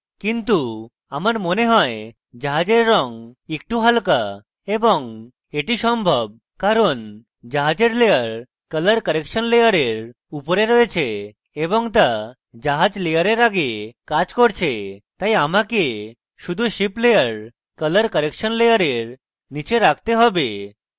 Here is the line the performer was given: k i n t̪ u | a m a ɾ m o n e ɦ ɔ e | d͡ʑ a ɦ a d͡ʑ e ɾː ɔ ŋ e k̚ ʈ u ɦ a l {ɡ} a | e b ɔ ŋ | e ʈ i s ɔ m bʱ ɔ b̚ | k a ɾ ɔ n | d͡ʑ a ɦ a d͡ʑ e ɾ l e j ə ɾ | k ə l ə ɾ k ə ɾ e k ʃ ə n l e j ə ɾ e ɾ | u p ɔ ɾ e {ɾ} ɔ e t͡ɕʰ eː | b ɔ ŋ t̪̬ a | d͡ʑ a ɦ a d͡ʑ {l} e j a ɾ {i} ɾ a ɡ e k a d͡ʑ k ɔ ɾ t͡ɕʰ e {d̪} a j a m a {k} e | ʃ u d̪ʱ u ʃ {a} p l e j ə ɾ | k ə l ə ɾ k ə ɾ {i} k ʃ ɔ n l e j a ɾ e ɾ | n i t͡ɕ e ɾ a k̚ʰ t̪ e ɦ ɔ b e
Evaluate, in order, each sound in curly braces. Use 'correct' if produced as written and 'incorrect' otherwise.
incorrect, correct, correct, incorrect, incorrect, correct, incorrect, incorrect

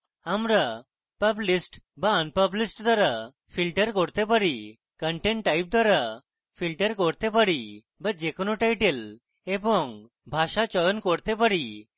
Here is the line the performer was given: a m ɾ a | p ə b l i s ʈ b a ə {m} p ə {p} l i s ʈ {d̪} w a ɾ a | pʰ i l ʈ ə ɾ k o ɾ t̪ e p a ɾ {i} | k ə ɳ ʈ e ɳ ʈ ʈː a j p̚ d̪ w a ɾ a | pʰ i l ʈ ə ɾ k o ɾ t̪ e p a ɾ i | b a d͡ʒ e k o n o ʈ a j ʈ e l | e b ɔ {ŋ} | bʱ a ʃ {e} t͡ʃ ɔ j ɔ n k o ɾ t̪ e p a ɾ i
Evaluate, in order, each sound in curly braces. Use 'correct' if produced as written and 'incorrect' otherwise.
incorrect, incorrect, correct, correct, correct, incorrect

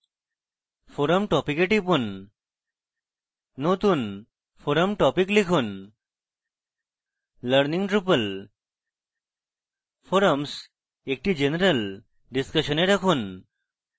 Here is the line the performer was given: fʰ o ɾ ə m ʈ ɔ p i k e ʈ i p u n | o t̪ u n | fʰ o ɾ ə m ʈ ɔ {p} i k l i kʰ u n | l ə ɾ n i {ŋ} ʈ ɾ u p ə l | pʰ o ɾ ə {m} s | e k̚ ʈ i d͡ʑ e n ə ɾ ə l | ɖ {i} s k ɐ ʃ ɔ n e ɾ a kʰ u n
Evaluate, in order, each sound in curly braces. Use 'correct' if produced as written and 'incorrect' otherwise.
correct, correct, correct, correct

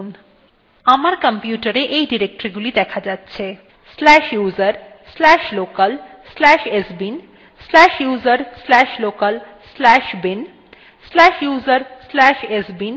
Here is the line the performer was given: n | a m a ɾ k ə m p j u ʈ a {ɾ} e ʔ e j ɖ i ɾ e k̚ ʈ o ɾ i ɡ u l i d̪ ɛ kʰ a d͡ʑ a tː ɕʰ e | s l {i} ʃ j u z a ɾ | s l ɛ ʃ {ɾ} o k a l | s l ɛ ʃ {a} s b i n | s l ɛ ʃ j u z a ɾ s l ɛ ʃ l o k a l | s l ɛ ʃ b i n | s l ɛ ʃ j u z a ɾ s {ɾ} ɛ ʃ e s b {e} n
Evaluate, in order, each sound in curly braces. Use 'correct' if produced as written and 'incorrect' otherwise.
correct, incorrect, incorrect, incorrect, incorrect, incorrect

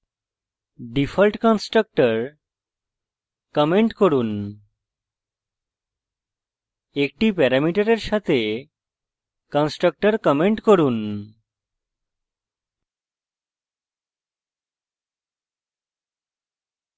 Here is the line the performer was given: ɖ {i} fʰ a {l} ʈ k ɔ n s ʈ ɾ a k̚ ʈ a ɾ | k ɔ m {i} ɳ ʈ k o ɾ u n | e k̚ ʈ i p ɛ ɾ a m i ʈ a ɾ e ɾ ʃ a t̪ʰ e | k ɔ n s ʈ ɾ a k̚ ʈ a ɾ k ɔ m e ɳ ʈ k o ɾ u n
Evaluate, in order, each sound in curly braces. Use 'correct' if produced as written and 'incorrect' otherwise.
correct, correct, incorrect

